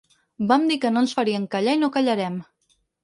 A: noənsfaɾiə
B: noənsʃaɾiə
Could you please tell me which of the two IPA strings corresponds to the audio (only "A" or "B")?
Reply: A